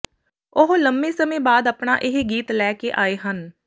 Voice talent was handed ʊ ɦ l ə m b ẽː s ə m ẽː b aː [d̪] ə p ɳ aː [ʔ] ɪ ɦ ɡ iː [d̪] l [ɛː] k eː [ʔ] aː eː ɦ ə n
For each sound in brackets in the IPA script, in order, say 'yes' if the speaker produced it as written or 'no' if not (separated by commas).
yes, yes, no, yes, yes